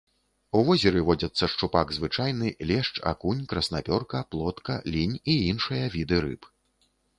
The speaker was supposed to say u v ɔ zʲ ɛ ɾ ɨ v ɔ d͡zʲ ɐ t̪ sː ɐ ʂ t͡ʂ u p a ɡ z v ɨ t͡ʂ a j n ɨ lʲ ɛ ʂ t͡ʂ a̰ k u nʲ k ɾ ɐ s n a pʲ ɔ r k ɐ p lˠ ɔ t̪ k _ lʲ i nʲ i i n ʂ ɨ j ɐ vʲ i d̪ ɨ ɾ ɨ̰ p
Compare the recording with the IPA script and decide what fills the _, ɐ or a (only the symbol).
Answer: ɐ